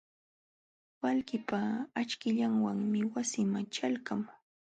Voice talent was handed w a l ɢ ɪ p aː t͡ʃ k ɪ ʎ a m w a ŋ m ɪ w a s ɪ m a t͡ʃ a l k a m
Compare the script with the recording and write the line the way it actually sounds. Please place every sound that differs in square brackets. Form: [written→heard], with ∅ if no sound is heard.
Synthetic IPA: w a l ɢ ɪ p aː t͡ʃ k ɪ ʎ a [m→ŋ] w a ŋ m ɪ w a s ɪ m a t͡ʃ a l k a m